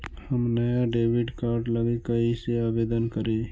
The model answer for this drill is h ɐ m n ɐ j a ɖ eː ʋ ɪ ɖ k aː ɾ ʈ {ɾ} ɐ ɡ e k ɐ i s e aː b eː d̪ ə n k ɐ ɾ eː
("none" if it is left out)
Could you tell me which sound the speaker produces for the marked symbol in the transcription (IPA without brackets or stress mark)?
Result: l